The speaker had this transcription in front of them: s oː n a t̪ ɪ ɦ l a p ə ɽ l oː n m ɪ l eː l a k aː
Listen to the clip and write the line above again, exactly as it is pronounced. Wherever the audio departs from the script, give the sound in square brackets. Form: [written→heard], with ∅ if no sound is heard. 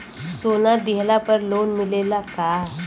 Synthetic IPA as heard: s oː n a [t̪→d̪] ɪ ɦ l a p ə [ɽ→ɾ] l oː n m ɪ l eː l a k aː